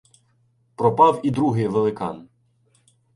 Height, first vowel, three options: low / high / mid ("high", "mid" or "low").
mid